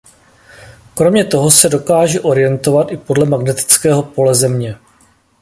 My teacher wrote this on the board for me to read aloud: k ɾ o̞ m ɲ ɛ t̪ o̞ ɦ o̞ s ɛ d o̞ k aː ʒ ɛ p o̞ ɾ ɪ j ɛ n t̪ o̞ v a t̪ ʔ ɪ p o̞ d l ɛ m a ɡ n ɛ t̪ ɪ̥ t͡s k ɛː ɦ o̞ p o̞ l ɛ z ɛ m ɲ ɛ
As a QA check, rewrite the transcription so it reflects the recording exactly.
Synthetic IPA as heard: k ɾ o̞ m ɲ ɛ t̪ o̞ ɦ o̞ s ɛ d o̞ k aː ʒ ɛ ʔ o̞ ɾ ɪ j ɛ n t̪ o̞ v a t̪ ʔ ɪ p o̞ d l ɛ m a ɡ n ɛ t̪ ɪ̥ t͡s k ɛː ɦ o̞ p o̞ l ɛ z ɛ m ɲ ɛ